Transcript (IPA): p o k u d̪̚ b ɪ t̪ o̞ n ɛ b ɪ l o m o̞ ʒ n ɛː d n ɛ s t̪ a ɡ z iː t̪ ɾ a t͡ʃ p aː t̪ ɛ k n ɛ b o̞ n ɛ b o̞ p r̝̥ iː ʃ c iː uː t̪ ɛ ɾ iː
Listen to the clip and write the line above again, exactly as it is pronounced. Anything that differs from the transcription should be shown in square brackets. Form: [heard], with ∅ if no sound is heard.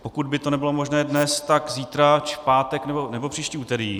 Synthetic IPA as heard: p o k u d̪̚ b ɪ t̪ o̞ n ɛ b ɪ l o m o̞ ʒ n ɛː d n ɛ s t̪ a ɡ z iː t̪ ɾ a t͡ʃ p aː t̪ ɛ k n ɛ b o̞ n ɛ b o̞ p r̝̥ iː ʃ c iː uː t̪ ɛ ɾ iː